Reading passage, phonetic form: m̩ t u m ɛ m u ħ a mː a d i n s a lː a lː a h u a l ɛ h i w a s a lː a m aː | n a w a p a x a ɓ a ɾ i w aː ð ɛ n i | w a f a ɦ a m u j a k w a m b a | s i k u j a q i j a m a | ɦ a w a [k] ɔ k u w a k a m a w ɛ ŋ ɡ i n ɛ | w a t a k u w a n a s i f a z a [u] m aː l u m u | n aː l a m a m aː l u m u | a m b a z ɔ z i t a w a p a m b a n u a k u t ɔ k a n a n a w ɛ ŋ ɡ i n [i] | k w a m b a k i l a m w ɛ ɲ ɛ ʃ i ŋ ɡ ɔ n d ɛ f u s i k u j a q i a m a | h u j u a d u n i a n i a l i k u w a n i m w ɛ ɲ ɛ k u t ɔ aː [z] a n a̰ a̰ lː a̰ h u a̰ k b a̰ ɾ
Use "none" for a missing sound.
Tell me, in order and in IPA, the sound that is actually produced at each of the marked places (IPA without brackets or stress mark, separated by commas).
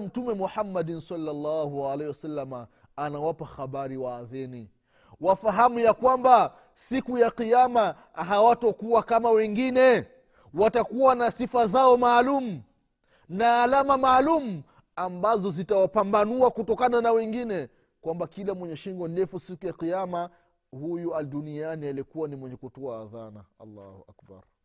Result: t, ɔ, ɛ, ð